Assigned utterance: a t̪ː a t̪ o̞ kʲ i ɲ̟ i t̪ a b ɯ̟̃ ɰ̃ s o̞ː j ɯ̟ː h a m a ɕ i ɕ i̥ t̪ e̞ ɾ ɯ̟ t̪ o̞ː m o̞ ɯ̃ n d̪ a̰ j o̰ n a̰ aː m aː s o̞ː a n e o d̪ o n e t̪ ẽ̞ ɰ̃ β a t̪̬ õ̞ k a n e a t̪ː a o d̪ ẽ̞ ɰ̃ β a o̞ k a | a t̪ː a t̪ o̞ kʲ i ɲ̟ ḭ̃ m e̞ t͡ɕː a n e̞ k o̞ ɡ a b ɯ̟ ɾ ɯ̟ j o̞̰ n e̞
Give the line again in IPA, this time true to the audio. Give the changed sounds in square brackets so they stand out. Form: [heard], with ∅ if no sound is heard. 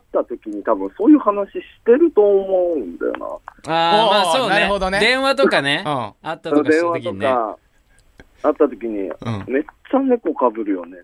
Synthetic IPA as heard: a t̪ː a t̪ o̞ kʲ i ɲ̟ i t̪ a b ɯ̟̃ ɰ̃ s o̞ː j ɯ̟ː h a [n] a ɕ i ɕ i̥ t̪ e̞ ɾ ɯ̟ t̪ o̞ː m o̞ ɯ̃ n d̪ a̰ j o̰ n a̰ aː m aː s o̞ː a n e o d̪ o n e [d̪] ẽ̞ ɰ̃ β a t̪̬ [o̞] k a n e a t̪ː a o d̪ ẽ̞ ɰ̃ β a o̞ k a | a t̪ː a t̪ o̞ kʲ i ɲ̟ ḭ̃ m e̞ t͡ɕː a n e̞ k o̞ [k] a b ɯ̟ ɾ ɯ̟ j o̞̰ n e̞